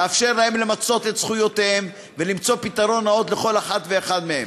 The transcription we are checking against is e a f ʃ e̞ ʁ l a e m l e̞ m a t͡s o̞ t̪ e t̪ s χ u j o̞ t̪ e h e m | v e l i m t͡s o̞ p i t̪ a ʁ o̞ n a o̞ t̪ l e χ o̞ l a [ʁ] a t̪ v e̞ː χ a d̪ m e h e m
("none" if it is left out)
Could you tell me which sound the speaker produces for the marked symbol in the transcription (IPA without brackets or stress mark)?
χ